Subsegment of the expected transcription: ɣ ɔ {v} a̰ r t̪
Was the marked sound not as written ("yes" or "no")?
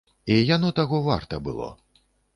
no